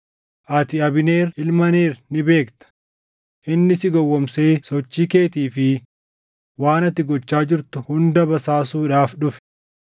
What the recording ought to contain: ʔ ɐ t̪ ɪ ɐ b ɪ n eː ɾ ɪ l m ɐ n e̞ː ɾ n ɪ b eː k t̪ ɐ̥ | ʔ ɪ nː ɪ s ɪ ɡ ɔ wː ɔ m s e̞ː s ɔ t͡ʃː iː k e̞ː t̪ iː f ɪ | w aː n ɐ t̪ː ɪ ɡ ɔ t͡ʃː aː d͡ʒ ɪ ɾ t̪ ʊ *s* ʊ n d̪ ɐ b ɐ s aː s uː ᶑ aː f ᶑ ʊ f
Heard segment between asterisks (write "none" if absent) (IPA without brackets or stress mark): h